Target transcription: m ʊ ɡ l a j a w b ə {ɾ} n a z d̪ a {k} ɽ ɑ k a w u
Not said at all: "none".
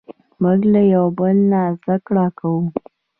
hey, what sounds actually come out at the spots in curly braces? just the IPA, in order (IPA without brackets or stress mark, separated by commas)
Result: l, k